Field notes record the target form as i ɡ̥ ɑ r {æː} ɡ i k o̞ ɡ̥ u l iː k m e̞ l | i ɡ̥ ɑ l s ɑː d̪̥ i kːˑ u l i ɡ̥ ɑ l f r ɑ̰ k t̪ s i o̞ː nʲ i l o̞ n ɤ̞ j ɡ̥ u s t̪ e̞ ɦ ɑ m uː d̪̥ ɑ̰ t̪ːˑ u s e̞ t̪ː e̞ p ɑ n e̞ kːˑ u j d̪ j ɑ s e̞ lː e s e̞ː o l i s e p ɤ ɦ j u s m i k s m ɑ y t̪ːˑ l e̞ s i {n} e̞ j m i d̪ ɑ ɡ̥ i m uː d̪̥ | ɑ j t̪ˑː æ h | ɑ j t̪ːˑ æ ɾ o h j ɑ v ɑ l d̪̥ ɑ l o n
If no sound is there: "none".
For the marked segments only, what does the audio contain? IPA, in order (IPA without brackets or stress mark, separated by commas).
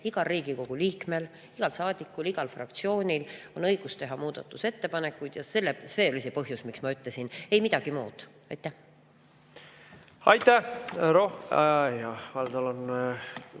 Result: iː, n